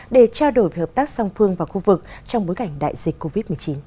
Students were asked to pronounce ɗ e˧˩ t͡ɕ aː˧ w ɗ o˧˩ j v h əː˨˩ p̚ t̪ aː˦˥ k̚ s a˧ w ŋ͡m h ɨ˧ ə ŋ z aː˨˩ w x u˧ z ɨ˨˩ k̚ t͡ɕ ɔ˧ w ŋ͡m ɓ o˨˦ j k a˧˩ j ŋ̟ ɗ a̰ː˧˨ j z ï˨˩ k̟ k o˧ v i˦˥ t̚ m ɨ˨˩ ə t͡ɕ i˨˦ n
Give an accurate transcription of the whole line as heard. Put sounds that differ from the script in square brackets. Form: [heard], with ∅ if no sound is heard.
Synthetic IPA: ɗ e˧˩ t͡ɕ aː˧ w ɗ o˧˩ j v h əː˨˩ p̚ t̪ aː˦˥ k̚ s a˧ w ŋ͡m [f] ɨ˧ ə ŋ [v] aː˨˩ w x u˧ [v] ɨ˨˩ k̚ t͡ɕ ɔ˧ w ŋ͡m ɓ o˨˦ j k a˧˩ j ŋ̟ ɗ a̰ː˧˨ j z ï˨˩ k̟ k o˧ v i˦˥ t̚ m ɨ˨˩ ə t͡ɕ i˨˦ n